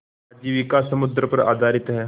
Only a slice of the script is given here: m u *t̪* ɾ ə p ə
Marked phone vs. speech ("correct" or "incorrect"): incorrect